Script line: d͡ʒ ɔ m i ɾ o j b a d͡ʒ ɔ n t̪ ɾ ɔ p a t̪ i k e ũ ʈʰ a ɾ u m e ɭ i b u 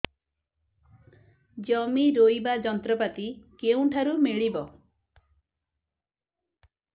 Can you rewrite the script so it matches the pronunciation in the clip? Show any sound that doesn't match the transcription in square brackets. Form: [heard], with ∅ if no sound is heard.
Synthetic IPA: d͡ʒ ɔ m i ɾ o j b a d͡ʒ ɔ n t̪ ɾ ɔ p a t̪ i k e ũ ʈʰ a ɾ u m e ɭ i b [ɔ]